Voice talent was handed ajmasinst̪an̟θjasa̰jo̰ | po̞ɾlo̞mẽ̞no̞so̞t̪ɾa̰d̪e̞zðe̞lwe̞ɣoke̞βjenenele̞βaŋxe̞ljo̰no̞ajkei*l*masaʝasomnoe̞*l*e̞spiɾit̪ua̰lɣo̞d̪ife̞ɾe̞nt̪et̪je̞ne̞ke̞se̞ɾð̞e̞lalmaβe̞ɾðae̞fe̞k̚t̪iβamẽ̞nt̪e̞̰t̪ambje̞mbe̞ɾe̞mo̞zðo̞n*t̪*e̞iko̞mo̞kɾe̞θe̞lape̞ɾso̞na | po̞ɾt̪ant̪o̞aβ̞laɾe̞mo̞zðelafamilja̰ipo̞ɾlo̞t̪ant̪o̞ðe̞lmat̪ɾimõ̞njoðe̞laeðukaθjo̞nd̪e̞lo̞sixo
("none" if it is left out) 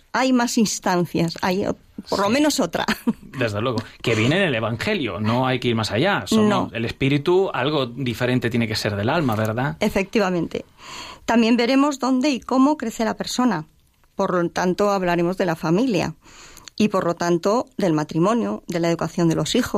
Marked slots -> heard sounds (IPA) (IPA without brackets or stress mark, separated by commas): ɾ, l, d̪